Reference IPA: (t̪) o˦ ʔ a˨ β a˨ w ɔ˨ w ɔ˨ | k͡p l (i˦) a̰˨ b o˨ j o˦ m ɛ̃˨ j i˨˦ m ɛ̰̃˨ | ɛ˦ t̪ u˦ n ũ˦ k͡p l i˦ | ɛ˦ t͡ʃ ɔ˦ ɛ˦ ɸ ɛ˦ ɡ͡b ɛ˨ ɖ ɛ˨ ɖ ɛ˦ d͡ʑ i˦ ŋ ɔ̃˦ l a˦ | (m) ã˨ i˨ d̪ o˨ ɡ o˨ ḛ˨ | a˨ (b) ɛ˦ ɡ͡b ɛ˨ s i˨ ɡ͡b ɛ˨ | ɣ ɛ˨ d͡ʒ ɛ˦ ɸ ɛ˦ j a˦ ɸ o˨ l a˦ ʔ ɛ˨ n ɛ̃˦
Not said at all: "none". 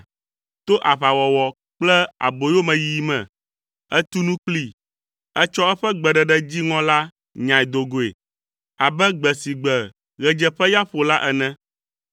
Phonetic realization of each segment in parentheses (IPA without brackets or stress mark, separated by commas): t̪, ɛ˦, ɲ, b